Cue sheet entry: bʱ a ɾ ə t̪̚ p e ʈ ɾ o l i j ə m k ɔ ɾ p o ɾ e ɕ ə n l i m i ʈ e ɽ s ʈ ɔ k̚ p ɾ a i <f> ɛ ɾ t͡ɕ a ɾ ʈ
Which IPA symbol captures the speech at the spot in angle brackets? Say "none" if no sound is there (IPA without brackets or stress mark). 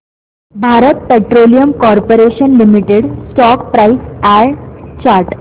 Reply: s